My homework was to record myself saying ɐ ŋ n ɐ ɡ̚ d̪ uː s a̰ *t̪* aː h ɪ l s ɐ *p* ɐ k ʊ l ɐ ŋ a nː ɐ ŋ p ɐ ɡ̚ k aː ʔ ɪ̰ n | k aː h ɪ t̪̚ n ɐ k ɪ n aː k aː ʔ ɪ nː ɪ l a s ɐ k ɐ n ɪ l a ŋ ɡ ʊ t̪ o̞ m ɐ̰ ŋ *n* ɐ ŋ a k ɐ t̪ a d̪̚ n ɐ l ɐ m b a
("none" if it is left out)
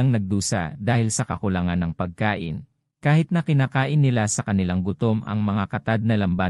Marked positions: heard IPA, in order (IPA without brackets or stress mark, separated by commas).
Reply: d̪, k, m